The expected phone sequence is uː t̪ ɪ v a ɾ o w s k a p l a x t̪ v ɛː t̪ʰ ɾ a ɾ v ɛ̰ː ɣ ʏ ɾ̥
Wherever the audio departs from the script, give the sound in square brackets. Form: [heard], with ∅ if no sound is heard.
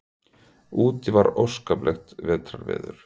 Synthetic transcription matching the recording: uː t̪ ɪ v a ɾ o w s k a p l [ɛ] x t̪ v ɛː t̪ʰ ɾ a ɾ v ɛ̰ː [ð] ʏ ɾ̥